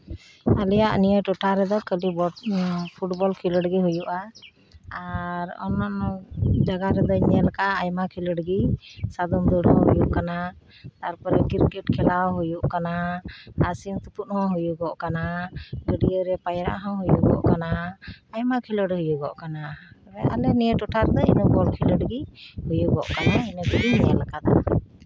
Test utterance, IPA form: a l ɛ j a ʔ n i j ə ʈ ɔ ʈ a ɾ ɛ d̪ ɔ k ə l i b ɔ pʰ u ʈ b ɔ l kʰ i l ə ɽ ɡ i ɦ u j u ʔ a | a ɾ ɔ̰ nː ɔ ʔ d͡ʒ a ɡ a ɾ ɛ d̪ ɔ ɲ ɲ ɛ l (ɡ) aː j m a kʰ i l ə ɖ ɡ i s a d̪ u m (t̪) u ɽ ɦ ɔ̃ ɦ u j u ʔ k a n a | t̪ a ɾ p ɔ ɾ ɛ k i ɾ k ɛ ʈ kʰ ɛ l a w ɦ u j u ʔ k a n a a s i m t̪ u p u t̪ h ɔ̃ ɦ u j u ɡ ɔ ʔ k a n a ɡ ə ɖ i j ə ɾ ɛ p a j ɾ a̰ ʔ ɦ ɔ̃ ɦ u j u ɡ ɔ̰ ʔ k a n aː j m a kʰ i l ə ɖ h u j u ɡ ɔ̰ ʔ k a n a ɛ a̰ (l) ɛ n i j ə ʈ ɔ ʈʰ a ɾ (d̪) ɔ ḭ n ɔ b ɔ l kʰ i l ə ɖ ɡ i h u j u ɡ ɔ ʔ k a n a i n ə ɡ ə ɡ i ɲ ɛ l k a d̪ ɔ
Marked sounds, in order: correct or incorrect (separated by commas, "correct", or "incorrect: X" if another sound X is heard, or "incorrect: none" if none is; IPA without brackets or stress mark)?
incorrect: k, incorrect: d̪, correct, correct